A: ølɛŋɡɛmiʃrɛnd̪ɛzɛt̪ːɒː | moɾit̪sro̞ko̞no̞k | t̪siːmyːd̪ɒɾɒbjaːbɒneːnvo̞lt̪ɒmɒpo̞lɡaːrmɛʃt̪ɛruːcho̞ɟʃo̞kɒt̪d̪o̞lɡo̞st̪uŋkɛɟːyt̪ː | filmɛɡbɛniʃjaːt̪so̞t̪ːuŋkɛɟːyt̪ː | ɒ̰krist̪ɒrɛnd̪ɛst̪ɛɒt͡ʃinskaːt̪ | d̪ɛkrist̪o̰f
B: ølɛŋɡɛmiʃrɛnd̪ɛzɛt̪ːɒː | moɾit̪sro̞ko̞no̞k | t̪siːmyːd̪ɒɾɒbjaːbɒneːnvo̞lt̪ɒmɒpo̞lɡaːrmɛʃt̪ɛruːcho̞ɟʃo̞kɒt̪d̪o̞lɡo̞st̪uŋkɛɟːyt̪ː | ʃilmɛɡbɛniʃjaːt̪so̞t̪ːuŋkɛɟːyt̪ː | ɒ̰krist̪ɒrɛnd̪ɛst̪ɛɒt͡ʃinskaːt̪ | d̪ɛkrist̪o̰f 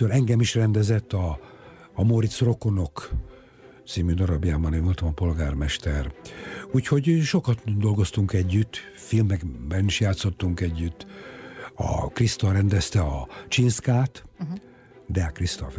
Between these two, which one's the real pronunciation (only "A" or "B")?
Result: A